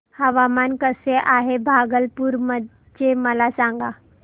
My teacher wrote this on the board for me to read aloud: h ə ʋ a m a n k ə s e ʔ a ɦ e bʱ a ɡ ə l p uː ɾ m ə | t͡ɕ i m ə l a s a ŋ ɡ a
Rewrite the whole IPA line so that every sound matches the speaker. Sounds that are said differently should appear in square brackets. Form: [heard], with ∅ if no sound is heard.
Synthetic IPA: h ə ʋ a m a n k ə s e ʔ a ɦ e bʱ a ɡ ə l p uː ɾ m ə | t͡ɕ [e] m ə l a s a ŋ ɡ a